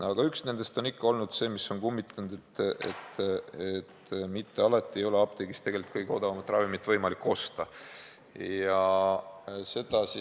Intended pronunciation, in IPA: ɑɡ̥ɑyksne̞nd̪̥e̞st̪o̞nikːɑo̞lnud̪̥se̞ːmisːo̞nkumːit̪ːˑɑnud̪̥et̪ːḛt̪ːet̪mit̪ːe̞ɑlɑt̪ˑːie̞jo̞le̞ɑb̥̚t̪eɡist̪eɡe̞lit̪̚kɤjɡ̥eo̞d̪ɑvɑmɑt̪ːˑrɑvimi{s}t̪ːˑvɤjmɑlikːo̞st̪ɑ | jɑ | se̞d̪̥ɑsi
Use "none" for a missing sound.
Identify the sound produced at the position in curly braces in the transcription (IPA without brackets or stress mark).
none